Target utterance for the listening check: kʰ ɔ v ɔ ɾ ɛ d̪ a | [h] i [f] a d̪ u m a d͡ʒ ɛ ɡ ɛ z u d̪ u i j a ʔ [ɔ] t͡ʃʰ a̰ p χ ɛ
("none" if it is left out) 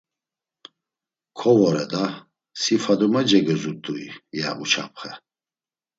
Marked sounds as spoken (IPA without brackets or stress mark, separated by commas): s, f, u